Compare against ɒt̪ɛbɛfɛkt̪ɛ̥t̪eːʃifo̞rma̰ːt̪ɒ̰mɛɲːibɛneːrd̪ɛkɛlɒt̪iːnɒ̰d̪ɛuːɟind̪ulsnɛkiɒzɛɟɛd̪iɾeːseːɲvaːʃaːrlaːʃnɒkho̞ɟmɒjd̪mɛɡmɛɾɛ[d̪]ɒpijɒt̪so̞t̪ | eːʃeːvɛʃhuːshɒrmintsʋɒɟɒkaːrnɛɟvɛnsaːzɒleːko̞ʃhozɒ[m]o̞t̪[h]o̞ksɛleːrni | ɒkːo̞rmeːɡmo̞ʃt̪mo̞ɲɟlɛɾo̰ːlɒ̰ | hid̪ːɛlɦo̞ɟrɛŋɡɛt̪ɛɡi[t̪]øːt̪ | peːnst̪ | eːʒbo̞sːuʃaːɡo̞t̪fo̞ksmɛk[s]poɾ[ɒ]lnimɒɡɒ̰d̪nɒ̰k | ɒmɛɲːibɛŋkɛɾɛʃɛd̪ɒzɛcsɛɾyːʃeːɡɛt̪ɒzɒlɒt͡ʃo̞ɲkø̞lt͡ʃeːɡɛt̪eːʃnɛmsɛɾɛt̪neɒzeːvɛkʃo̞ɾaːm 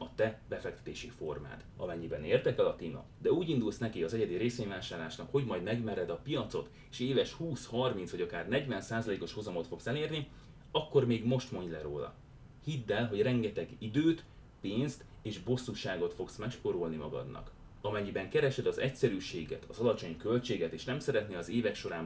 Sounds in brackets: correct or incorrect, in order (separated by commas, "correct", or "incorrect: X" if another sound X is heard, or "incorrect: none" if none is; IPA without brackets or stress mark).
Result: correct, correct, incorrect: f, incorrect: d̪, incorrect: ʃ, incorrect: o